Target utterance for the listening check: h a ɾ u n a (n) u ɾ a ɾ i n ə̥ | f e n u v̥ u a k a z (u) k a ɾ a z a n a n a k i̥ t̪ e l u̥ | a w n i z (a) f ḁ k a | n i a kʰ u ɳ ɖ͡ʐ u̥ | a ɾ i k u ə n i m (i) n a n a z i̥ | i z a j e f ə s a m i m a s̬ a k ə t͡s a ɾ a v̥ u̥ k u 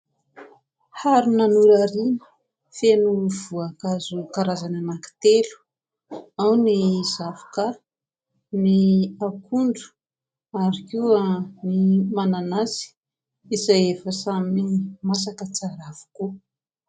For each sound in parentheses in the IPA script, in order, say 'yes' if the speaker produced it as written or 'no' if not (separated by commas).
yes, yes, yes, no